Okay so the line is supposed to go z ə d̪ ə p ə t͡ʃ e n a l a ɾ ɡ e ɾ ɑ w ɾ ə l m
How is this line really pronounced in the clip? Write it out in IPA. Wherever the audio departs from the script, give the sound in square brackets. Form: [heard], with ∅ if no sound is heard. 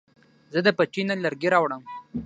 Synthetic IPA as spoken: z ə d̪ ə p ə t͡ʃ [i] n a l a ɾ ɡ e ɾ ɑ w [ɽ] ə [∅] m